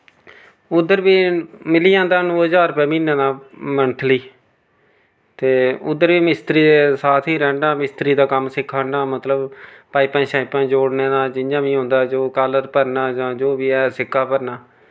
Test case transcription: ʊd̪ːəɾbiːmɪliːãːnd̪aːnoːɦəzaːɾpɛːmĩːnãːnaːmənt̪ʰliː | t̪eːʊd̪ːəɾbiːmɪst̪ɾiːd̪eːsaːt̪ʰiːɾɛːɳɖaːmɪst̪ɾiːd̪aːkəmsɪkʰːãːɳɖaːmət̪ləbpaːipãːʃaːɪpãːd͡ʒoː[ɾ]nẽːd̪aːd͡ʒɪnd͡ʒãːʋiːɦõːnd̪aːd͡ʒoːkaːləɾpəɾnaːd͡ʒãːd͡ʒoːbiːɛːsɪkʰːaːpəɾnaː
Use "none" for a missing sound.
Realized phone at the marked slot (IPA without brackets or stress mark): ɽ